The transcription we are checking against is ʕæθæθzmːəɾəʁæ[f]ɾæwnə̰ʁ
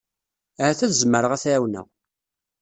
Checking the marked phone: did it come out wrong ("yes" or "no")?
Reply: yes